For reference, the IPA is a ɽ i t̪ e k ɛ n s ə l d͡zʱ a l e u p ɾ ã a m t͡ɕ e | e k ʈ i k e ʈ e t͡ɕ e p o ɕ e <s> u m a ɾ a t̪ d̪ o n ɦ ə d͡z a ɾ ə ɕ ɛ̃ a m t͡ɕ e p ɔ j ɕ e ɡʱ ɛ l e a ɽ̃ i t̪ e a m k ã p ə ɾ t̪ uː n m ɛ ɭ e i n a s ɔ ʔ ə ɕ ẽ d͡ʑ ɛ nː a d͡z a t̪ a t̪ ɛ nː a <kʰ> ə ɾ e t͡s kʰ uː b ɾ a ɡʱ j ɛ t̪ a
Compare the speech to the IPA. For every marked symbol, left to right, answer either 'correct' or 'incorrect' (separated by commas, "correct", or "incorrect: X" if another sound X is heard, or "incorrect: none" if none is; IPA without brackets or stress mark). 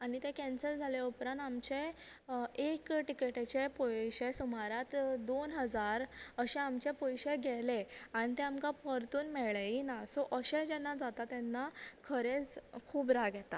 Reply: correct, correct